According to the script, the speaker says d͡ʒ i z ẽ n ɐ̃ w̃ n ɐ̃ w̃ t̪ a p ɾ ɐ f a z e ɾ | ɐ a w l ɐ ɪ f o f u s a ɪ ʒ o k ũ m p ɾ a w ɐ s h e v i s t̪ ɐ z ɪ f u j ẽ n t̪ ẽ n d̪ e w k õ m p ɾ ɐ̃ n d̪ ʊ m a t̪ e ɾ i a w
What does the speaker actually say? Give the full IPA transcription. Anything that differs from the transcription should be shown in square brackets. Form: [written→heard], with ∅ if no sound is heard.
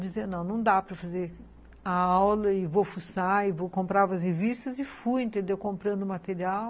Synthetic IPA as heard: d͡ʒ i z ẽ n ɐ̃ w̃ n ɐ̃ w̃ [t̪→d̪] a p ɾ ɐ f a z e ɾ | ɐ a w l ɐ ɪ [f→v] o f u s a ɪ [ʒ→v] o k [ũ→õ] m p ɾ a [w→v] ɐ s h e v i s t̪ ɐ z ɪ f u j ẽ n t̪ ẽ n d̪ e w k õ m p ɾ ɐ̃ n d̪ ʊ m a t̪ e ɾ i a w

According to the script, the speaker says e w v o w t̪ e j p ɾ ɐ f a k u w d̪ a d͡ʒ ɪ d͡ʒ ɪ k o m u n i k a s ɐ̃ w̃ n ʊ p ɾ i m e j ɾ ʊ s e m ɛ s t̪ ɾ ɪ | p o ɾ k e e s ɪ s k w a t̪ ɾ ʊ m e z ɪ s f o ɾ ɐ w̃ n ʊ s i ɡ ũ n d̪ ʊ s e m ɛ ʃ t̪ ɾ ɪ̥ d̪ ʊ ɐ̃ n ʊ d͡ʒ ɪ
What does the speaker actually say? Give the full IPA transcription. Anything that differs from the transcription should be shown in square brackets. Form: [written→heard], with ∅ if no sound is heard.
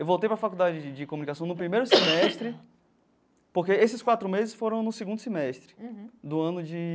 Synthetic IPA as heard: e w v o w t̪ e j p ɾ ɐ f a k u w d̪ a d͡ʒ ɪ d͡ʒ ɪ k o m u n i k a s ɐ̃ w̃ n ʊ p ɾ i m e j ɾ ʊ s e m ɛ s t̪ ɾ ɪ | p o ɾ k e e s ɪ s k w a t̪ ɾ ʊ m e z ɪ s f o ɾ [ɐ→ɐ̃] w̃ n ʊ s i ɡ ũ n d̪ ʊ s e m ɛ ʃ t̪ ɾ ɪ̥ d̪ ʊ ɐ̃ n ʊ d͡ʒ ɪ

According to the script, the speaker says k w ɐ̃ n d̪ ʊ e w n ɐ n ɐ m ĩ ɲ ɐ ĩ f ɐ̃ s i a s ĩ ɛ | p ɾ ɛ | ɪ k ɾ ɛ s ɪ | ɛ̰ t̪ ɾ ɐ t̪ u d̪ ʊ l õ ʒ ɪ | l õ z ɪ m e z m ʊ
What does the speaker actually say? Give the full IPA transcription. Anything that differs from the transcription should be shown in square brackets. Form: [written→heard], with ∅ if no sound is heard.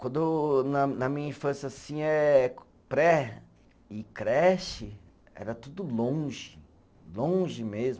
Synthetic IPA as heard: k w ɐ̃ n d̪ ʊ e w n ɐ n ɐ m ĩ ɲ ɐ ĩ f ɐ̃ s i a s ĩ ɛ | p ɾ ɛ | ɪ k ɾ ɛ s ɪ | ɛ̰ [t̪→∅] ɾ ɐ t̪ u d̪ ʊ l õ ʒ ɪ | l õ [z→ʒ] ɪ m e z m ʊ

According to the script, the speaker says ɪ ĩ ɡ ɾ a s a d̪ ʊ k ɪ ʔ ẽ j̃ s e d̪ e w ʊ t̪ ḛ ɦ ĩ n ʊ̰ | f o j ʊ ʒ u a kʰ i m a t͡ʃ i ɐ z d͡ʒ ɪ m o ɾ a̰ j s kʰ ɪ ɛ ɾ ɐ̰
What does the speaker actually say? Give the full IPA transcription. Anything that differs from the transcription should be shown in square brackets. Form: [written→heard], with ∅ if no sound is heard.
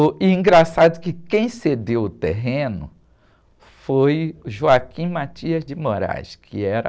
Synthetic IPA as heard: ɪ ĩ ɡ ɾ a s a d̪ ʊ k ɪ [ʔ→k] ẽ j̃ s e d̪ e w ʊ t̪ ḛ ɦ [ĩ→ẽ] n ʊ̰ | f o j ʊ ʒ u a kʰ [i→ĩ] m a t͡ʃ i ɐ z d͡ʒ ɪ m o ɾ a̰ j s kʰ ɪ ɛ ɾ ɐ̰

